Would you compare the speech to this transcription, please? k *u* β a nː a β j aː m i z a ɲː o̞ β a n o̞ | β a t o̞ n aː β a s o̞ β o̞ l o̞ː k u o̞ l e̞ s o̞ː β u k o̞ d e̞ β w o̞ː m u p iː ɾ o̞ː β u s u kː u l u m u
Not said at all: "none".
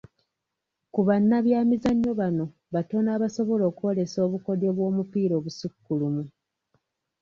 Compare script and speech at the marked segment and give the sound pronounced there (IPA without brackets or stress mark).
u